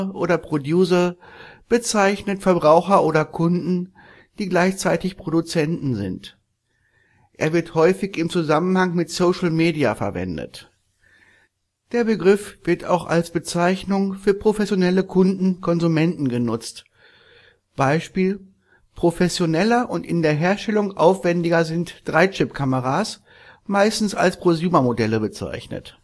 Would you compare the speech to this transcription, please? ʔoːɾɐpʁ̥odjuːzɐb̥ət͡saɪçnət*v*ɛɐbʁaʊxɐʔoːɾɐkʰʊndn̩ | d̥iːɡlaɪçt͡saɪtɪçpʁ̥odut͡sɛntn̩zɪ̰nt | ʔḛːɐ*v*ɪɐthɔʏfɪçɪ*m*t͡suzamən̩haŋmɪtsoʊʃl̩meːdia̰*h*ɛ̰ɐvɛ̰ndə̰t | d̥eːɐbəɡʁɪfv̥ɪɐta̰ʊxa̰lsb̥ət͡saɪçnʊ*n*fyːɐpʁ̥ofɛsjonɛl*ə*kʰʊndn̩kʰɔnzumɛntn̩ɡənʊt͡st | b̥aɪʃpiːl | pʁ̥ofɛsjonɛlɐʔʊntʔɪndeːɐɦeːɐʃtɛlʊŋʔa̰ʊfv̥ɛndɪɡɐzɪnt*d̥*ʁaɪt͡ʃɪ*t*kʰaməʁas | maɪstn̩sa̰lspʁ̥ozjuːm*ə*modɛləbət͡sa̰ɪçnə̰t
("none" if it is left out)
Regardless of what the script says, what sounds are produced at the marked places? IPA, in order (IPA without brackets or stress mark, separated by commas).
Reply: f, v, m, f, ŋ, ə, d̥, p, ɐ